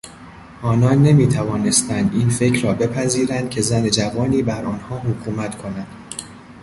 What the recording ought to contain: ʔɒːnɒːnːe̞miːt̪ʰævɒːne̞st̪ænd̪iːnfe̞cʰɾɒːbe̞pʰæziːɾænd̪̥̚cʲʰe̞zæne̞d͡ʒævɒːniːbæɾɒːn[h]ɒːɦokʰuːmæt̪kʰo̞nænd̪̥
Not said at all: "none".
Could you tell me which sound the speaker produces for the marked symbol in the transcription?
h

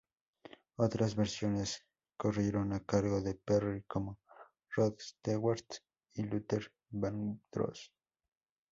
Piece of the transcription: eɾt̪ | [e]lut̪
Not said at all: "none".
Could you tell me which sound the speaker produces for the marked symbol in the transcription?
i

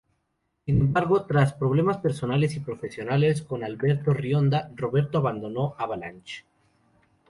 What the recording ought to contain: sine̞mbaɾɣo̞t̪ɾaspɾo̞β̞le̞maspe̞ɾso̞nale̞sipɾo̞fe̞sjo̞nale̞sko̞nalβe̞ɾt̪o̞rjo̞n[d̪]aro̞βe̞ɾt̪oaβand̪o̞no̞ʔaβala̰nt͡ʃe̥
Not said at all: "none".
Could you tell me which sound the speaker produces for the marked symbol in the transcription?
d̪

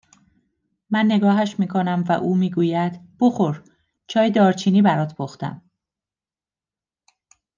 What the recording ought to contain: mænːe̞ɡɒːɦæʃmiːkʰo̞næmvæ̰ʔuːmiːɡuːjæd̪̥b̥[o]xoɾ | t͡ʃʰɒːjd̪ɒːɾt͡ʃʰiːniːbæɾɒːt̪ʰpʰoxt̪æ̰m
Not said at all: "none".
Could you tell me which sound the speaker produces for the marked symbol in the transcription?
o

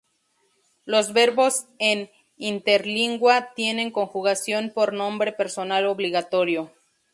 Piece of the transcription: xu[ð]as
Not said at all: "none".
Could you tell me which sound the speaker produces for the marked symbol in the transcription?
ɣ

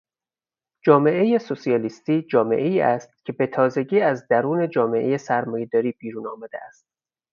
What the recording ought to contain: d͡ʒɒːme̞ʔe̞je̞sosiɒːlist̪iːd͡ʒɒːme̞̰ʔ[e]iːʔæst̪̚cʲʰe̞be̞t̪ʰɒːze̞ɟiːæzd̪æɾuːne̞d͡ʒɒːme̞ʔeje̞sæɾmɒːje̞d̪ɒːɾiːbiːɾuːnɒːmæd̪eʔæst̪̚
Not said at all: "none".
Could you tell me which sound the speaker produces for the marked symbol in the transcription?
e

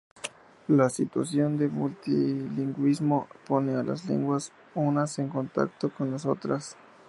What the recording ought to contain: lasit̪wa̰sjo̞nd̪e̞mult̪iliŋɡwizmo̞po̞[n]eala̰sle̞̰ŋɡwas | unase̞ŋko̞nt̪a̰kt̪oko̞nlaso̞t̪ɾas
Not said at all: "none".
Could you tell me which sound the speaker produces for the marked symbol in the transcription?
n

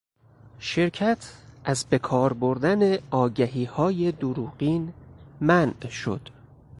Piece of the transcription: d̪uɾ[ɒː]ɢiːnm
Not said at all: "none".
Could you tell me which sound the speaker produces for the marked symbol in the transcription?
uː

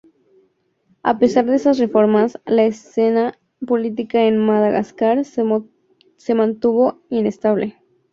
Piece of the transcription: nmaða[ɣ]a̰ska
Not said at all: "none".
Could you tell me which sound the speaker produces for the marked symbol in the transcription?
ɣ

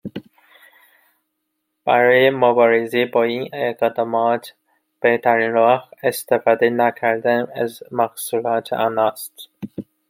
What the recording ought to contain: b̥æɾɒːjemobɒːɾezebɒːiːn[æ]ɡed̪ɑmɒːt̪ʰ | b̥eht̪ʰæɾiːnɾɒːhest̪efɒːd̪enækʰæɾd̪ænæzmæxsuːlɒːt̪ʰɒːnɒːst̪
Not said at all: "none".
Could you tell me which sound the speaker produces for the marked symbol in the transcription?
e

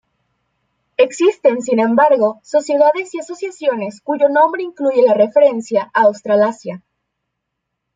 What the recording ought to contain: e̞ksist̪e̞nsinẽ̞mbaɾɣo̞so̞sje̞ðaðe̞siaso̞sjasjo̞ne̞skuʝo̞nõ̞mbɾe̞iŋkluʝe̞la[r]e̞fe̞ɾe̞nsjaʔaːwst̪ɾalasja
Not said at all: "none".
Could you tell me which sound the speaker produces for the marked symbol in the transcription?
r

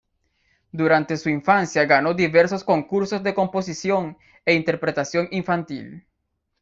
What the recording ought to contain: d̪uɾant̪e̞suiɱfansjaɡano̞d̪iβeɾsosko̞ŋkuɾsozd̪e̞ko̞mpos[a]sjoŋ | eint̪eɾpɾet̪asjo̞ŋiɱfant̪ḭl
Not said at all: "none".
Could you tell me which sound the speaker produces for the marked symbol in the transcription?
i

